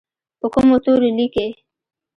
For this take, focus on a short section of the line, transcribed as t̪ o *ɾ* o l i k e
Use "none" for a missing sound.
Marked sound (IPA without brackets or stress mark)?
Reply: ɾ